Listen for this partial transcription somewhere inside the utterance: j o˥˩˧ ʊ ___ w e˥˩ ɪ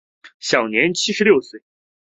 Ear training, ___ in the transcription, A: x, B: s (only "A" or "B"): B